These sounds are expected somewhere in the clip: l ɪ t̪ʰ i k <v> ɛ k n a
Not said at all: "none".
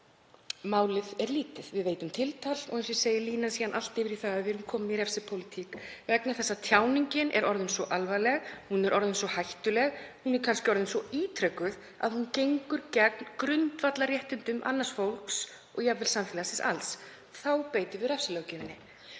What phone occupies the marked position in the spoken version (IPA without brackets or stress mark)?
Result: v